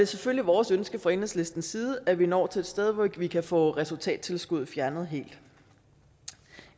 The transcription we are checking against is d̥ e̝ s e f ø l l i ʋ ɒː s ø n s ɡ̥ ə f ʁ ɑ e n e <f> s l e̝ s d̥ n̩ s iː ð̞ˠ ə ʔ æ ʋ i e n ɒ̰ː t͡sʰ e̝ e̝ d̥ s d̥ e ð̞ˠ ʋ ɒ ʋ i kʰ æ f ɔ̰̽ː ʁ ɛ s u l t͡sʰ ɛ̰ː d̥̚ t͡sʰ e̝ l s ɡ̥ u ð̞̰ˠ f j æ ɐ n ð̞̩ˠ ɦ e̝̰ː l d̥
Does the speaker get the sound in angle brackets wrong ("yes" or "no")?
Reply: yes